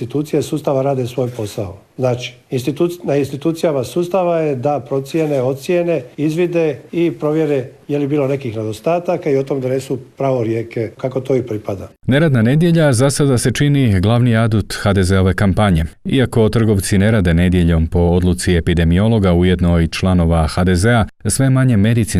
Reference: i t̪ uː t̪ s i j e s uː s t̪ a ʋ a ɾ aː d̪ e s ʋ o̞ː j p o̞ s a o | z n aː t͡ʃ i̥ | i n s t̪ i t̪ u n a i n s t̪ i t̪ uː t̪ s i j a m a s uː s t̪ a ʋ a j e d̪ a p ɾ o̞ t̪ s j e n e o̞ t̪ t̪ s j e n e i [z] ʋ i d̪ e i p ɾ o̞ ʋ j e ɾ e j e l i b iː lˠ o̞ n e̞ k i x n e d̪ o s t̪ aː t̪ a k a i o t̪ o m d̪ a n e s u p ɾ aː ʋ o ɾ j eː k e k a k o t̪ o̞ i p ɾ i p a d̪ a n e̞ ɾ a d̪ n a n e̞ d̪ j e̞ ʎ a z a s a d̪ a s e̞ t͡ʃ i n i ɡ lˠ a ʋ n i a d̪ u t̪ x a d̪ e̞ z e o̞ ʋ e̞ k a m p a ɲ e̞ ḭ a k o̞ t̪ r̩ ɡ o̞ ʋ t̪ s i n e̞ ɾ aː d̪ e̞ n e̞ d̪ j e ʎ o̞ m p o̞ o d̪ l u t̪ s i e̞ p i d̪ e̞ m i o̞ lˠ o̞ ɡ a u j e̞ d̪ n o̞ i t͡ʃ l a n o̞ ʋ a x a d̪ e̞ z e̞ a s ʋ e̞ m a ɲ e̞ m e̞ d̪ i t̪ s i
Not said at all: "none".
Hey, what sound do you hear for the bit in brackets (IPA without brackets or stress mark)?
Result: z